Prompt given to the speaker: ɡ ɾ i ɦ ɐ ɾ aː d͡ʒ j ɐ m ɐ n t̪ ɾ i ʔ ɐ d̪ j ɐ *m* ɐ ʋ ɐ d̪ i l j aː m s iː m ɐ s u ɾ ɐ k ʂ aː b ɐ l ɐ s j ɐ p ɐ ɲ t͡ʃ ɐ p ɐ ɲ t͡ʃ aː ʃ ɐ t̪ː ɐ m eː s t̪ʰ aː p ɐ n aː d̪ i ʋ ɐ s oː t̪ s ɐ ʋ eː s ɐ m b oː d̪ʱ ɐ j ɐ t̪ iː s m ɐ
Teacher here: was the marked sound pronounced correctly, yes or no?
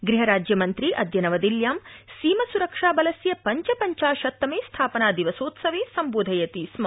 no